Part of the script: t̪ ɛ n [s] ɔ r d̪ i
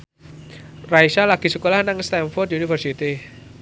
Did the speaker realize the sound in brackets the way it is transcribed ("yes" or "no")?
no